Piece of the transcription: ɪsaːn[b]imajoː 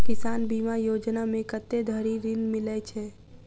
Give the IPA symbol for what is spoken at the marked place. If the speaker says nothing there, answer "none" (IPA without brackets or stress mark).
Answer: b